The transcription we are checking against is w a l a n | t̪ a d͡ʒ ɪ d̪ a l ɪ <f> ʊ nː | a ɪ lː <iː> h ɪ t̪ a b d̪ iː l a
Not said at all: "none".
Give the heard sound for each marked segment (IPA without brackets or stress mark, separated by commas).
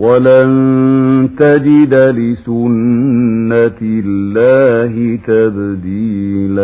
s, aː